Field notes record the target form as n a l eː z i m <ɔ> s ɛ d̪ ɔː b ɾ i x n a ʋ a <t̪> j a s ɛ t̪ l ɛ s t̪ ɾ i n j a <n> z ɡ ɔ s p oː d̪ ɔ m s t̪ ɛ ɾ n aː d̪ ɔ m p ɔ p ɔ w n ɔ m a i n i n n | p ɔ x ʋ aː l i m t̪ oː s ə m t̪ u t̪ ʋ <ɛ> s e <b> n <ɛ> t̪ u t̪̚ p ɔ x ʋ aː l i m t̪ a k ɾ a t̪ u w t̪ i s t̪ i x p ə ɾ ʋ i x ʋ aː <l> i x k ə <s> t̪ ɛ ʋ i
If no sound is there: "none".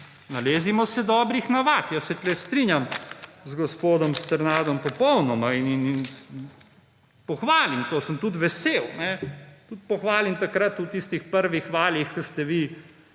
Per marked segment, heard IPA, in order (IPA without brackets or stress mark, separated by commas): ɔ, t̪, m, ɛ, w, ɛ, l, s